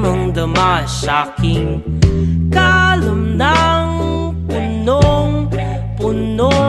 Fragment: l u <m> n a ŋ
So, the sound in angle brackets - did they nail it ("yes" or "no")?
yes